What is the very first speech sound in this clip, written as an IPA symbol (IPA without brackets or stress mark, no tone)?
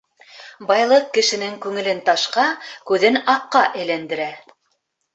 b